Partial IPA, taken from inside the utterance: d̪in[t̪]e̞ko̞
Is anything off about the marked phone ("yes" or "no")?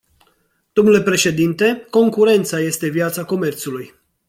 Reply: no